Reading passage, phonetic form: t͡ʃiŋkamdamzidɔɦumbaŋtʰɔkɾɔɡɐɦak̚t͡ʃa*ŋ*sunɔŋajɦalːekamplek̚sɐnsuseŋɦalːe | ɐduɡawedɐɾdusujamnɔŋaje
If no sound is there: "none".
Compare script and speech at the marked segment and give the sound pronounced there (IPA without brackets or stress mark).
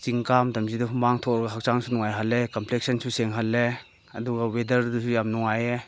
ŋ